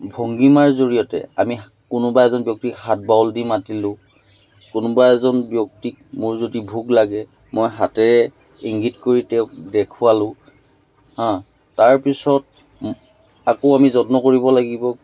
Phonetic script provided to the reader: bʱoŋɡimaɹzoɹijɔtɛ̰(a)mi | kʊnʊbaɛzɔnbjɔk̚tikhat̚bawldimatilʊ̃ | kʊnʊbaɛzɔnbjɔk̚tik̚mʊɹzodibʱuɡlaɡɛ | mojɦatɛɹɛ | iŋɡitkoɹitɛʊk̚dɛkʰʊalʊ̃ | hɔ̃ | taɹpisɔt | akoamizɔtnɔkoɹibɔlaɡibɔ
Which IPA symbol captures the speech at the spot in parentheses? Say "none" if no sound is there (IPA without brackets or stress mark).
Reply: a